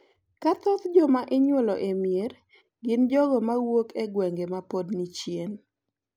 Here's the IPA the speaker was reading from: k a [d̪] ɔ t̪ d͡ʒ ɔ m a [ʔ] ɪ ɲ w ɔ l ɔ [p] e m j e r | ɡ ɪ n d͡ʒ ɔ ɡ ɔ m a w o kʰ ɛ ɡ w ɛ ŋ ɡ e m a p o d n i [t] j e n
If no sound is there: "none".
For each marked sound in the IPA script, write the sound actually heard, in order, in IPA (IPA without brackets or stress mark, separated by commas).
t̪, ʔ, ʔ, t͡ʃ